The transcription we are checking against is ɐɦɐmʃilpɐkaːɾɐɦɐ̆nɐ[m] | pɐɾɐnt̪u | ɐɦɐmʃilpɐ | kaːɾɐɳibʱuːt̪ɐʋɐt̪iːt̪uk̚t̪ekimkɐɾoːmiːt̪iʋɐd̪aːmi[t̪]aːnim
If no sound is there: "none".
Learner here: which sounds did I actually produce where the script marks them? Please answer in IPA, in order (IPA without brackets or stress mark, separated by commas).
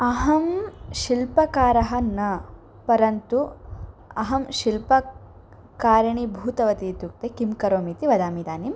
none, d̪